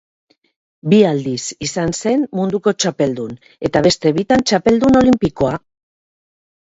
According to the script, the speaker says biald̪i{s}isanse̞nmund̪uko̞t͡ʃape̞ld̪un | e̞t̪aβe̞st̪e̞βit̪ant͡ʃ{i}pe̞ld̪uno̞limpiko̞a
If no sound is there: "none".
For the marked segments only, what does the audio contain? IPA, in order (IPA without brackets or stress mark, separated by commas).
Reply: s, a